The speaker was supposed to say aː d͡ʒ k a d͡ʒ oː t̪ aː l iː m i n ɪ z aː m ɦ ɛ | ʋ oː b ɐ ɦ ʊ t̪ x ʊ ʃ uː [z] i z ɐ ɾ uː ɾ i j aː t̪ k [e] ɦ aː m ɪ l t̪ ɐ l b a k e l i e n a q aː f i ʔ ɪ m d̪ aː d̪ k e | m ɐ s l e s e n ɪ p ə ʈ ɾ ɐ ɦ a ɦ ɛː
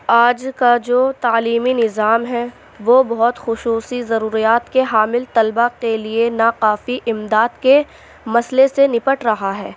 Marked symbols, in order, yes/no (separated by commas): no, yes